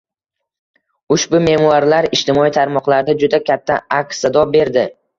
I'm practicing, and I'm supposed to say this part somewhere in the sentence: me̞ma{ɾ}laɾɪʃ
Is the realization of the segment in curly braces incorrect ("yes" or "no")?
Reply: no